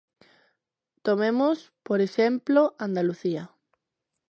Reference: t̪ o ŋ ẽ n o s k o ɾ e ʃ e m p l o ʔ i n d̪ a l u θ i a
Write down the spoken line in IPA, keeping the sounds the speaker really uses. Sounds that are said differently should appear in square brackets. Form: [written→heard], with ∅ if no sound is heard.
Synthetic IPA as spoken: t̪ o [ŋ→m] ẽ [n→m] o s [k→p] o ɾ e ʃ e m p l o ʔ [i→a] n d̪ a l u θ i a